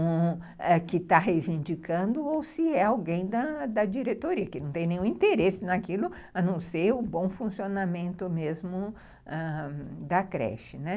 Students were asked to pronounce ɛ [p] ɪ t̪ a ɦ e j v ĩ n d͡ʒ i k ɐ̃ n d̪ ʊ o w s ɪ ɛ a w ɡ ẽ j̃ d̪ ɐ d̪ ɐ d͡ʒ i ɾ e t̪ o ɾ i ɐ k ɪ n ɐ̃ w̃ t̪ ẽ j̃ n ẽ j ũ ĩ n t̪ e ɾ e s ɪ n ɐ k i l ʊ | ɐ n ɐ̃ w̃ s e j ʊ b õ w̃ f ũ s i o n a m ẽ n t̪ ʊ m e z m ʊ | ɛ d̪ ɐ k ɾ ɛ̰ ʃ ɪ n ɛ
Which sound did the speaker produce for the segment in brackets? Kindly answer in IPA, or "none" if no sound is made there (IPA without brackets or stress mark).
k